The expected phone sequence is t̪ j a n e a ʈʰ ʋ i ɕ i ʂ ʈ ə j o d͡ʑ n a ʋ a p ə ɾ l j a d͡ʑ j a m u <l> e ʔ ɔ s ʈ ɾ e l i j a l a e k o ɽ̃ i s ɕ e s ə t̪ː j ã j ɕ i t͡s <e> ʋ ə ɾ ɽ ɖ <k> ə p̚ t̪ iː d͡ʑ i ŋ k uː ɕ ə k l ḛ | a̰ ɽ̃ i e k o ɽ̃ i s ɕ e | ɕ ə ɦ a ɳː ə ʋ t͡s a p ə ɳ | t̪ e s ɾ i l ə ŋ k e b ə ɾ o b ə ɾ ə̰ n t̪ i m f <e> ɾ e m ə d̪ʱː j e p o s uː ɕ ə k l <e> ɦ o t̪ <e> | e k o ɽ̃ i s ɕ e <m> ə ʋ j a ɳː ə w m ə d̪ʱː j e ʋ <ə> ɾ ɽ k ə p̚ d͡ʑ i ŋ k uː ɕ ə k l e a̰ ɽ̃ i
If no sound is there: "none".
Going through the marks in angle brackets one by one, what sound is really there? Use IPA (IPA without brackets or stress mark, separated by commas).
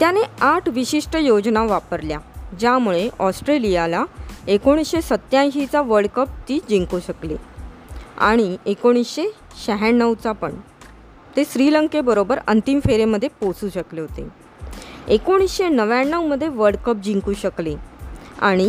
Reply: ɭ, a, k, e, e, e, n, ə